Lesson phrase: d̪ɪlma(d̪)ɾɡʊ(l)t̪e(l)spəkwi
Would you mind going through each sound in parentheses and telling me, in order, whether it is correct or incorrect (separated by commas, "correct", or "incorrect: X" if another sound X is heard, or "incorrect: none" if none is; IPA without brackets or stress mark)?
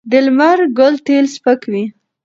incorrect: none, correct, correct